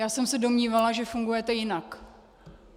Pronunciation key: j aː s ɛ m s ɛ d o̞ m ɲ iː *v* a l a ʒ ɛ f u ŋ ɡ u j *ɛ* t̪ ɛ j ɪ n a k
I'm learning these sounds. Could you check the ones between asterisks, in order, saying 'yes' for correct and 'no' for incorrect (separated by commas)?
yes, yes